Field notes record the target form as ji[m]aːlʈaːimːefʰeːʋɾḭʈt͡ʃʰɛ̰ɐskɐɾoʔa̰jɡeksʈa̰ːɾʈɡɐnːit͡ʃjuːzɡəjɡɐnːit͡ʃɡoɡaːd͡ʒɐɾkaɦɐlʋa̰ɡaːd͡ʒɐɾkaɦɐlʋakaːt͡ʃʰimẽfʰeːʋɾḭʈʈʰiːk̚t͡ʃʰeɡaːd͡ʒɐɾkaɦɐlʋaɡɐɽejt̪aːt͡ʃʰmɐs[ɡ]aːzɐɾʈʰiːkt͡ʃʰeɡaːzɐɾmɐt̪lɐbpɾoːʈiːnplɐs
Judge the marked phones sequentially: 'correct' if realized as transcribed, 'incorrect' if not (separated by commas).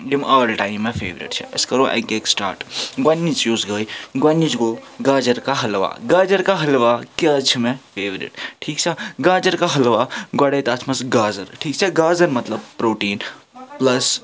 correct, correct